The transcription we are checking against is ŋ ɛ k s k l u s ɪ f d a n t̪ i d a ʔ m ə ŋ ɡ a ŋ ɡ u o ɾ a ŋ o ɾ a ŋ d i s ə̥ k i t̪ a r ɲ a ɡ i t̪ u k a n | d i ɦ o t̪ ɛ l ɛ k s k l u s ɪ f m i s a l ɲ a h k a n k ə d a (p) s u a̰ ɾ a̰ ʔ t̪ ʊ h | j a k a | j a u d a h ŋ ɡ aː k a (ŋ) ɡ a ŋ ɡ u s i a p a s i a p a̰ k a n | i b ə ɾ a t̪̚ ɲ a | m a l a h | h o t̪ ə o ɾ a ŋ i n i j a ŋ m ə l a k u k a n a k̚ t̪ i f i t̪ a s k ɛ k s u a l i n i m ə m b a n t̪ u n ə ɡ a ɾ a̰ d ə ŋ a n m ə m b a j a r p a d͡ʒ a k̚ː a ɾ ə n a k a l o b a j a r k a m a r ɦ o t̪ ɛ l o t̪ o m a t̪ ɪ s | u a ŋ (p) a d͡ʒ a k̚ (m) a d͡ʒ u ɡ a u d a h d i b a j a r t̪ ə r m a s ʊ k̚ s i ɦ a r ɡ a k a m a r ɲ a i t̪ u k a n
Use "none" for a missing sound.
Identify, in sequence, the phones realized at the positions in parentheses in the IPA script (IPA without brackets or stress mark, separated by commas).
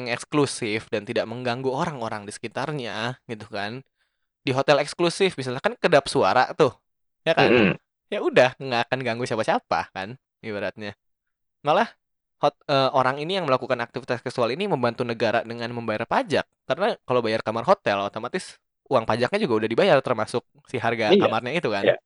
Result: p, n, p, ɲ